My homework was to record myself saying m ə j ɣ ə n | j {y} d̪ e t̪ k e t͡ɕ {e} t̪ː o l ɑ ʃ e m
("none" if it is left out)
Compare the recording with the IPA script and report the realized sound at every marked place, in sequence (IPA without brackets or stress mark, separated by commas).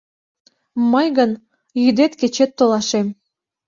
y, e